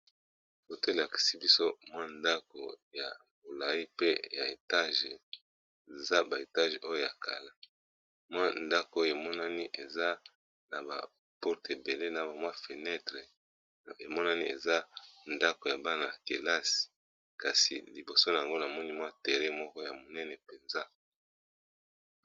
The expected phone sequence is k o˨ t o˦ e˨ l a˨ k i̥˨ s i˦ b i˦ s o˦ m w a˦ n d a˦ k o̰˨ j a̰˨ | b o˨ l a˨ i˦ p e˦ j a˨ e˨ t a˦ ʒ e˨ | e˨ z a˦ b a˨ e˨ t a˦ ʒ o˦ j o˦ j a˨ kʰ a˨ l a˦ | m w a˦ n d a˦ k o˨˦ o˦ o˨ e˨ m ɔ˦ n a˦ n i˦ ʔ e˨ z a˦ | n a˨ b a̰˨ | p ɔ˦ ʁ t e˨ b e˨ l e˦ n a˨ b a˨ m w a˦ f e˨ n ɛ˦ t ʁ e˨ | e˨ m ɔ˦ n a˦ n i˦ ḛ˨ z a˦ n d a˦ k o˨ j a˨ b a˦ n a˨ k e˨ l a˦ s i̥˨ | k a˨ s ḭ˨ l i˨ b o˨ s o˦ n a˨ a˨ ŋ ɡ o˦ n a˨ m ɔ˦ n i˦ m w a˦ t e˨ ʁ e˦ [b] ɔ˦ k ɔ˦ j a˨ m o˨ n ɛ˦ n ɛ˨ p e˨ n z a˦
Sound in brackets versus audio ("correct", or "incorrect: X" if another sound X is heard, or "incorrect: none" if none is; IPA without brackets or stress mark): incorrect: m